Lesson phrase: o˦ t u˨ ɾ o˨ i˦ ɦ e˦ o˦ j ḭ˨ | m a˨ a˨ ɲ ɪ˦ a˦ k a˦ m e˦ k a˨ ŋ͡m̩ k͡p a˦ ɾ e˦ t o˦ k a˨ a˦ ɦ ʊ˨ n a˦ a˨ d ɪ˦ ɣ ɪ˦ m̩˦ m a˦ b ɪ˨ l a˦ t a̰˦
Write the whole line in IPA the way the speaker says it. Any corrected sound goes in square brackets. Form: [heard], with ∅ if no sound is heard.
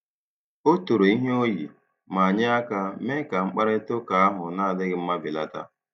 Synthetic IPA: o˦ t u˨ ɾ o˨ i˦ ɦ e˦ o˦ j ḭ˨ | m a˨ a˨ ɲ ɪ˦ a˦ k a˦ m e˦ k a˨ ŋ͡m̩ k͡p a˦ ɾ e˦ t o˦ k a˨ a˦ ɦ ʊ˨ n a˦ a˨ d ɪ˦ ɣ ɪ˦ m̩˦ m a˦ b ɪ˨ l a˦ t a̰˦

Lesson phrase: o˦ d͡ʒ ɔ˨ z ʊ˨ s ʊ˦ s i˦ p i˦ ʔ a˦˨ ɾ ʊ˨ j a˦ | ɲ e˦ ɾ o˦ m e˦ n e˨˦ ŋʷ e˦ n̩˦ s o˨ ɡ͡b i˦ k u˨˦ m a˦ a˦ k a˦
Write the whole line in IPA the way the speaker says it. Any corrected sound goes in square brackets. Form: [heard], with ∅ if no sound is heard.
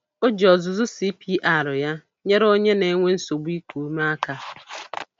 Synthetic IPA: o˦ d͡ʒ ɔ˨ z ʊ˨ [z] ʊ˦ s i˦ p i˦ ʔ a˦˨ ɾ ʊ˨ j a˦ | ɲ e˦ ɾ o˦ [ɲ] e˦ n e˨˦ ŋʷ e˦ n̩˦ s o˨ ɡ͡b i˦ k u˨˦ m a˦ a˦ k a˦

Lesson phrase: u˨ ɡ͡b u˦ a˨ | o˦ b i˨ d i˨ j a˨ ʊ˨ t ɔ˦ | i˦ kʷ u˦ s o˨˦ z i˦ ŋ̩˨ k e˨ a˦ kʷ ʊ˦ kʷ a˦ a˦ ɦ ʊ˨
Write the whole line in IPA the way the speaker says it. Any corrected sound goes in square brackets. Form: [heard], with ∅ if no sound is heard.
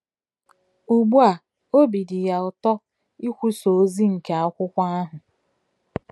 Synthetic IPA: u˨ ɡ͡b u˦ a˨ | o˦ b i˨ d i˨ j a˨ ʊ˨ t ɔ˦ | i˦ kʷ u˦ s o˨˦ z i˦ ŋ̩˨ k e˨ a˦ kʷ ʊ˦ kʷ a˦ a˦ ɦ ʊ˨

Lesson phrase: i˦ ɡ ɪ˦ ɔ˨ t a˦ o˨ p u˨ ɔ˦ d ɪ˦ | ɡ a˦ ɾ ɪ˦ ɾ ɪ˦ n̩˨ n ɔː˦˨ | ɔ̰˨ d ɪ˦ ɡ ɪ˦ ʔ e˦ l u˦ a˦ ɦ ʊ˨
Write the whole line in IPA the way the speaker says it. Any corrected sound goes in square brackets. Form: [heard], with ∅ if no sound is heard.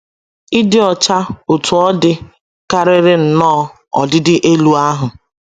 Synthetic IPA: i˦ [d] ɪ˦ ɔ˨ [t͡ʃ] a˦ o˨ [t] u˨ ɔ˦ d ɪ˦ | [k] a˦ ɾ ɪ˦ ɾ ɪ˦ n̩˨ n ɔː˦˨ | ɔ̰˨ d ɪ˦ [d] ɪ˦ ʔ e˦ l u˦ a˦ ɦ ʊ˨

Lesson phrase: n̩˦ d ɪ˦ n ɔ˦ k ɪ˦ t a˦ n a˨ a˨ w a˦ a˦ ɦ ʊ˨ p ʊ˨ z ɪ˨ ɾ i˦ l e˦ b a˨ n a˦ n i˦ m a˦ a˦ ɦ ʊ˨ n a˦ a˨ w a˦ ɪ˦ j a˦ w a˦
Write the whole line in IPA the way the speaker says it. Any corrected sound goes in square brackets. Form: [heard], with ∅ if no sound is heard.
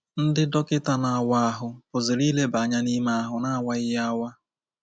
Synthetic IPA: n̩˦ d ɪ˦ [d] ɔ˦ k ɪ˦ t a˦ n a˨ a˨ w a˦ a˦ ɦ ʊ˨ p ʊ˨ z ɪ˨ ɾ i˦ l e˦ b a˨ [ɲ] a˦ n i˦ m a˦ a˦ ɦ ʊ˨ n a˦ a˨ w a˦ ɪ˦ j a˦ w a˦

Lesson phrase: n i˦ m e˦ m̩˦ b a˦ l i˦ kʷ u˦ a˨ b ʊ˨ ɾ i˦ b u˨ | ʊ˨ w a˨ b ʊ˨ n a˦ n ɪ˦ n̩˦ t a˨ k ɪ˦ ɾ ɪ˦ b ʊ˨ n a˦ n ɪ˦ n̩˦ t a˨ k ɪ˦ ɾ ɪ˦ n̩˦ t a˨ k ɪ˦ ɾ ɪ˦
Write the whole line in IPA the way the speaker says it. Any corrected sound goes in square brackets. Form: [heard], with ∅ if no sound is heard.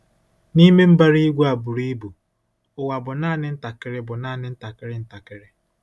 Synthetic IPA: n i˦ m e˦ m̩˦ b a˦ [ɾ] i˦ [ɡʷ] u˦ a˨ b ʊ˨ ɾ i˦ b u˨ | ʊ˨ w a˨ b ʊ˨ n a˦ n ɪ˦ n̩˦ t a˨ k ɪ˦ ɾ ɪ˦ b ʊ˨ n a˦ n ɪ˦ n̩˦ t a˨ k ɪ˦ ɾ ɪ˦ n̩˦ t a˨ k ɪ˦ ɾ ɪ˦

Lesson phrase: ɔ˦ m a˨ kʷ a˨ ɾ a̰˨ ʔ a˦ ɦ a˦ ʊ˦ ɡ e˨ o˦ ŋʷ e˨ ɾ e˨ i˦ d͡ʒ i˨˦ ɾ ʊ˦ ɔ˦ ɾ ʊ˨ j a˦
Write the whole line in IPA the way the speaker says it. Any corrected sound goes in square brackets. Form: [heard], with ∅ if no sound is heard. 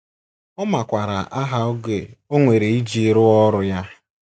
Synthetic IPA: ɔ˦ m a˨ kʷ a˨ ɾ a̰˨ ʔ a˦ ɦ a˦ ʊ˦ ɡ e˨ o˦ ŋʷ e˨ ɾ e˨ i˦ d͡ʒ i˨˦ ɾ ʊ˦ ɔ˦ ɾ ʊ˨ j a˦

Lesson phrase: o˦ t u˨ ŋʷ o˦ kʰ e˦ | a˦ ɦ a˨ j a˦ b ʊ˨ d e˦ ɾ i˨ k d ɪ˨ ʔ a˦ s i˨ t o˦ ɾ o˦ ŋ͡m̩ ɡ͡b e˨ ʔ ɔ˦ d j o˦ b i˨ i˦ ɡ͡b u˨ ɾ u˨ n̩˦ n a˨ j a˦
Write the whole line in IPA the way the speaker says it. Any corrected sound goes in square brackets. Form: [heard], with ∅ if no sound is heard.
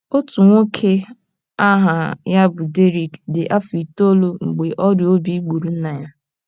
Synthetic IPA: o˦ t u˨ ŋʷ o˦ kʰ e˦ | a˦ ɦ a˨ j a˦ b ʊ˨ d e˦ ɾ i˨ k d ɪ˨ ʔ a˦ [f] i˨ t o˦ [l] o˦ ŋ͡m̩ ɡ͡b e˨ ʔ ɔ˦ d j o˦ b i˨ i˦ ɡ͡b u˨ ɾ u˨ n̩˦ n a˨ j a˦

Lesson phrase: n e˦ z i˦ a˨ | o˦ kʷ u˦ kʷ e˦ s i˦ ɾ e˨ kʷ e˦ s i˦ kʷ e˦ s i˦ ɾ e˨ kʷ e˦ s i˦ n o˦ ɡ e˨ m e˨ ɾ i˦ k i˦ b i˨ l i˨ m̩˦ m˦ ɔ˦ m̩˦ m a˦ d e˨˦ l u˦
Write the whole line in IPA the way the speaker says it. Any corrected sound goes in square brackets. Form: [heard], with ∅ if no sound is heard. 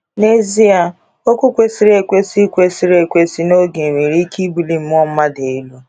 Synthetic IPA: n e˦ z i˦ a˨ | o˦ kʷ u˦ kʷ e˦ s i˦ ɾ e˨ kʷ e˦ s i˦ kʷ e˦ s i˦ ɾ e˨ kʷ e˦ s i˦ n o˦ ɡ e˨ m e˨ ɾ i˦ k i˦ b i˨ l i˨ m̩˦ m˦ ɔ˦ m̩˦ m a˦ d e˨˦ l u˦

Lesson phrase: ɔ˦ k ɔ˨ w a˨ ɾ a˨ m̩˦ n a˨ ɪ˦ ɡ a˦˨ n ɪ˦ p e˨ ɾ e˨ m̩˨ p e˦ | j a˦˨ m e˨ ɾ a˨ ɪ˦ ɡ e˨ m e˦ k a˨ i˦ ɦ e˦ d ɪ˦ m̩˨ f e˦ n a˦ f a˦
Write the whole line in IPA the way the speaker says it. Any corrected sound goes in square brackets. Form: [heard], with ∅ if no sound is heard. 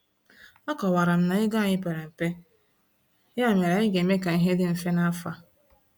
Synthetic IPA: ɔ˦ k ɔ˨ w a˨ ɾ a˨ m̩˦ n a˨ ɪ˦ ɡ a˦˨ [ɲ] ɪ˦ p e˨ ɾ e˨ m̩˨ p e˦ | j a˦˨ m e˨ ɾ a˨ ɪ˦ ɡ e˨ m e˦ k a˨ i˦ ɦ e˦ d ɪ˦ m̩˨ f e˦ n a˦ f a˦

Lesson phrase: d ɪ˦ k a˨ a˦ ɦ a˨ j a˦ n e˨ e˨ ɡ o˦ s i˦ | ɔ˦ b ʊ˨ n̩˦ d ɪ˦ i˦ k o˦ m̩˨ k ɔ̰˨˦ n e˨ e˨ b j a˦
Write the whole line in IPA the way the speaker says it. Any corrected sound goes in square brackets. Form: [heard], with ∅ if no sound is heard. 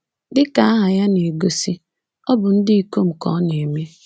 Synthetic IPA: d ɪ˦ k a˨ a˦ ɦ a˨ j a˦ n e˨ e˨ ɡ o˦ s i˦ | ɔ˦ b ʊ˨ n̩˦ d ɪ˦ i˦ k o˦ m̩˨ k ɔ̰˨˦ n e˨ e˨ [m] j [e˦]

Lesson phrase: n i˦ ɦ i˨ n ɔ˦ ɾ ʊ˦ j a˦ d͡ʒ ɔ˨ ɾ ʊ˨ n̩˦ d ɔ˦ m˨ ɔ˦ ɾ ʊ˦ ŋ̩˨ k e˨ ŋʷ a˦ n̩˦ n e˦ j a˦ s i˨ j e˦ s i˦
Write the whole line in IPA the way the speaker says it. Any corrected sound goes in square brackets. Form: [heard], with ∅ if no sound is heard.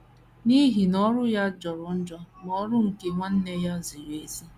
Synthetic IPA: n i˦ ɦ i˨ n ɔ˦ ɾ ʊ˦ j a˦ d͡ʒ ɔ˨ ɾ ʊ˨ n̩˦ [d͡ʒ] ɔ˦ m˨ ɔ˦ ɾ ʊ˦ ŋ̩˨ k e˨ ŋʷ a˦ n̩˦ n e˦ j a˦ [z] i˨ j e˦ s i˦

